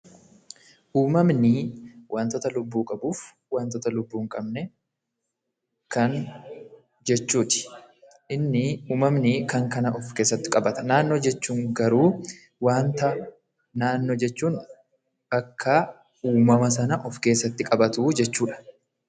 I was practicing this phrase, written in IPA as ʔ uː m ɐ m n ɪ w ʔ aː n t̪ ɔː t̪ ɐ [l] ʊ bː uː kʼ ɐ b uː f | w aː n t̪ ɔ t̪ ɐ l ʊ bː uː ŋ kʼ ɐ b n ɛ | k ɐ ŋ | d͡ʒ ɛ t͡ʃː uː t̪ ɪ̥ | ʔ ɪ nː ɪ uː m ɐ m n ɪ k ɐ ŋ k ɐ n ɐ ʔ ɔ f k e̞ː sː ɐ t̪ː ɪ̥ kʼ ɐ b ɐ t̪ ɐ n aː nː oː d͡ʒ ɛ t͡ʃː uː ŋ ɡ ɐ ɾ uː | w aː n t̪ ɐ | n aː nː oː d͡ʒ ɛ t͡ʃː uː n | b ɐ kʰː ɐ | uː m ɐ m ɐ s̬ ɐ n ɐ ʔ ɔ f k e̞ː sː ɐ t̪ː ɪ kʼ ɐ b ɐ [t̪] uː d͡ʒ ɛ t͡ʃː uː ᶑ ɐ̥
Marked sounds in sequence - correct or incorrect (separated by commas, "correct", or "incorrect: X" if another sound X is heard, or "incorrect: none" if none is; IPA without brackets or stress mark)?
correct, correct